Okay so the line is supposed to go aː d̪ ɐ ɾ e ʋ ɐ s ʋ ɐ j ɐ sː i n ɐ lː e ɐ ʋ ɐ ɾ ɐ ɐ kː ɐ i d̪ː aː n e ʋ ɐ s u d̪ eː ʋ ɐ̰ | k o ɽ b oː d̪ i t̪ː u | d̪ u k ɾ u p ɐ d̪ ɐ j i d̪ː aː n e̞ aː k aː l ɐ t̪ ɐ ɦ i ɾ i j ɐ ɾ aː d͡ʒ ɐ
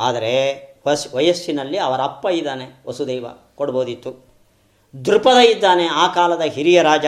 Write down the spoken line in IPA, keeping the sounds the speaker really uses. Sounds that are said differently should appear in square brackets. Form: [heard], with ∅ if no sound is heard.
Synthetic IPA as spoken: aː d̪ ɐ ɾ e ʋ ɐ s ʋ ɐ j ɐ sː i n ɐ lː [i] ɐ ʋ ɐ ɾ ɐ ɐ [pː] ɐ i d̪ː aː n e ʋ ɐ s u d̪ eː ʋ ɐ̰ | k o ɽ b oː d̪ i t̪ː u | d̪ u [∅] ɾ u p ɐ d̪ ɐ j i d̪ː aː n e̞ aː k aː l ɐ [d̪] ɐ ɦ i ɾ i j ɐ ɾ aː d͡ʒ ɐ